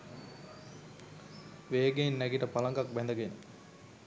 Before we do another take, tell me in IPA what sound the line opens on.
ʋ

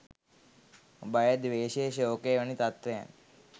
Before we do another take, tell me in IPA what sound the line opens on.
b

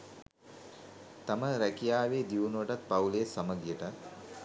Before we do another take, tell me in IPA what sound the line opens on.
t̪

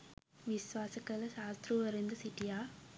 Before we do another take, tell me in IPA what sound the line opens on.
ʋ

